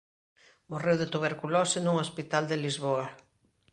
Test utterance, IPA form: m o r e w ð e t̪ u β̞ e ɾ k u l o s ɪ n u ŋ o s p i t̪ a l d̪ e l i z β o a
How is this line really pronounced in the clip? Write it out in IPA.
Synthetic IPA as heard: m o r e w ð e t̪ u β̞ e ɾ k u l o s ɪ n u ŋ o s p i t̪ a l d̪ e l i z β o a